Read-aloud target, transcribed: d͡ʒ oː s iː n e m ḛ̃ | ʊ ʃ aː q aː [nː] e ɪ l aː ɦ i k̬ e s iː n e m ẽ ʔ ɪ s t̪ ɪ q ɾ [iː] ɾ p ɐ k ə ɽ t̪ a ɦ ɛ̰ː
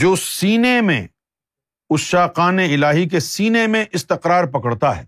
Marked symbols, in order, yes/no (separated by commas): no, no